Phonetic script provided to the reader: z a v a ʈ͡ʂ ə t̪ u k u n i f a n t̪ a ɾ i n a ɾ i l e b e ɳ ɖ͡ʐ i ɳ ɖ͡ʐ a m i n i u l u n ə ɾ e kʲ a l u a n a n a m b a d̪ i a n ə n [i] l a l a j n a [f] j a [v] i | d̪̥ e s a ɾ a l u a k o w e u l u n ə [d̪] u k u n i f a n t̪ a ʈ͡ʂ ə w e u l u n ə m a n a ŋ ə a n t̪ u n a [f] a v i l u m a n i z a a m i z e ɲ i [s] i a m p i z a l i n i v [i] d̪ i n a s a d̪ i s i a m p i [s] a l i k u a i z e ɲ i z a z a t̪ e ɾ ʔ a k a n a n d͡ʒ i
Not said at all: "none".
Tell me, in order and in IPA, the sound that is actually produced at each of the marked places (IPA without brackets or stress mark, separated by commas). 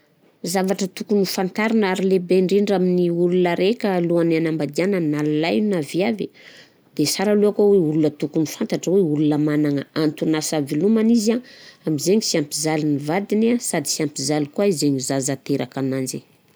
a, v, v, t̪, s, s, a, z